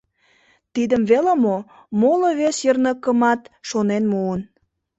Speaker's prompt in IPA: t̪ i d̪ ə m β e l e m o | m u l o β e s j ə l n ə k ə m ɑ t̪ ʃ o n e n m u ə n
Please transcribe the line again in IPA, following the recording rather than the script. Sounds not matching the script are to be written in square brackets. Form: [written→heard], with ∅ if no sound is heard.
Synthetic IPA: t̪ i d̪ ə m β e l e m o | m [u→o] l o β e s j ə [l→r] n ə k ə m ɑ t̪ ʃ o n e n m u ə n

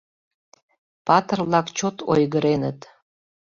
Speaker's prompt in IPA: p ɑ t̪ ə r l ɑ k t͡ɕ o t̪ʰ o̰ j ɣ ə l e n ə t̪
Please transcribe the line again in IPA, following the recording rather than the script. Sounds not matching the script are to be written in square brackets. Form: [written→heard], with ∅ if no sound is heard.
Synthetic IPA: p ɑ t̪ ə r l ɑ k t͡ɕ o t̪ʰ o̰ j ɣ ə [l→ɾ] e n ə t̪

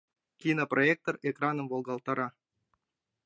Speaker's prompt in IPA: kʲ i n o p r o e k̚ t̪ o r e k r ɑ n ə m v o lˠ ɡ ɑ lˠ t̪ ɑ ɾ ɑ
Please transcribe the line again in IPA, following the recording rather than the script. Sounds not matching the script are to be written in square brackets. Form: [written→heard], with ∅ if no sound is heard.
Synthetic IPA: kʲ i n o p r o e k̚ t̪ o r e k r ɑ n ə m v o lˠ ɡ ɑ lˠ t̪ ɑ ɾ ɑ

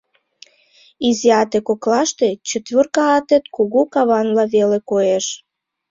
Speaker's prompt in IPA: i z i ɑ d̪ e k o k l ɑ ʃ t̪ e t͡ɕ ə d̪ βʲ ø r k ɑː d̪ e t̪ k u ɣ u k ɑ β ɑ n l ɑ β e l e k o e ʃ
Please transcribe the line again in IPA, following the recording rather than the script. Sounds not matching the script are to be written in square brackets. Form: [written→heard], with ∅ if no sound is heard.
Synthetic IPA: i z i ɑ [d̪→t̪] e k o k l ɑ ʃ t̪ e t͡ɕ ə [d̪→t̪] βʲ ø r k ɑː [d̪→t̪] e t̪ k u ɣ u k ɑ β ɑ n l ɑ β e l e k o e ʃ

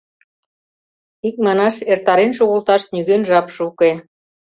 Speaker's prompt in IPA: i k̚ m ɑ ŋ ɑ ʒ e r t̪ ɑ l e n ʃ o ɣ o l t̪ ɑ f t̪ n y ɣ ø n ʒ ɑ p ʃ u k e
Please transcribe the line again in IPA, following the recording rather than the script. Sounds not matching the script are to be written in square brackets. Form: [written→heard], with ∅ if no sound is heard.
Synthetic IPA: i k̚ m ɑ [ŋ→n] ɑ [ʒ→ʃ] e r t̪ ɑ [l→ɾ] e n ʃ o ɣ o l t̪ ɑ [f→ʃ] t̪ n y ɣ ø n ʒ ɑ p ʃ u k e

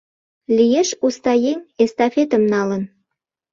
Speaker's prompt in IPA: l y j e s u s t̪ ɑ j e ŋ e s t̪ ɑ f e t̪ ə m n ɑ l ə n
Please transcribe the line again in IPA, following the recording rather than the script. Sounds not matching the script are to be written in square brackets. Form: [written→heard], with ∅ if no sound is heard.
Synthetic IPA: l [y→i] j e [s→ʃ] u s t̪ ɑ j e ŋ e s t̪ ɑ f e t̪ ə m n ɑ l ə n

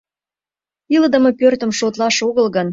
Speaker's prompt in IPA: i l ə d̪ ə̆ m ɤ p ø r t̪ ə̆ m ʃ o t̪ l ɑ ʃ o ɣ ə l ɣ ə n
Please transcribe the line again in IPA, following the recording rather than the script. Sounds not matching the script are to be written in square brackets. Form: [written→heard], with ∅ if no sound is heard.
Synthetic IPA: i l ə d̪ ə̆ m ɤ p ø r t̪ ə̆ m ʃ o t̪ l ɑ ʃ o ɣ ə l ɣ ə n

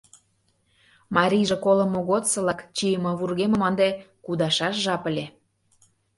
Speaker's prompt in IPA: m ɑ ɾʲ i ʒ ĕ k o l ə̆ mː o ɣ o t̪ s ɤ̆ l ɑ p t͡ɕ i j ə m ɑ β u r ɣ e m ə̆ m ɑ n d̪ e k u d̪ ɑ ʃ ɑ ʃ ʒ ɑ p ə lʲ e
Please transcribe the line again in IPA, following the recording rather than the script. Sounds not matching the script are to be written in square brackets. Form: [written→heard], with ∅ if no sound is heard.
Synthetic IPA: m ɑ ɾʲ i ʒ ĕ k o l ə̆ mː o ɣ o t̪ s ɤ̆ l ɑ [p→k] t͡ɕ i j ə m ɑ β u r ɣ e m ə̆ m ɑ n d̪ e k u d̪ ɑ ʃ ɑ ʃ ʒ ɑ p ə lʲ e

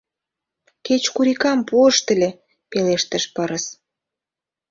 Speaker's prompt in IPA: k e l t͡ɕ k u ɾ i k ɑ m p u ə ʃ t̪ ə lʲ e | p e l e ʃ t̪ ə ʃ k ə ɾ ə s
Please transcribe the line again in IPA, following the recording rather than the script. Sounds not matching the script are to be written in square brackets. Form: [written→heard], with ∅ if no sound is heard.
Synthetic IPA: k e [l→∅] t͡ɕ k u ɾ i k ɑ m p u ə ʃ t̪ ə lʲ e | p e l e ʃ t̪ ə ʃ [k→p] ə ɾ ə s

